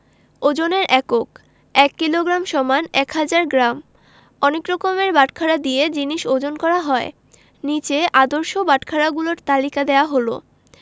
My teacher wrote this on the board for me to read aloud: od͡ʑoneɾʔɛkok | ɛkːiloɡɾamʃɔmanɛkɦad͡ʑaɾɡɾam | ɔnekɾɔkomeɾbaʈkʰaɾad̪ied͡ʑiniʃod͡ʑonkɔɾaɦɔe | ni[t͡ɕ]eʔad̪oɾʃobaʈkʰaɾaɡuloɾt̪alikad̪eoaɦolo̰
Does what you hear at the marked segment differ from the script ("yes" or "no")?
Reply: no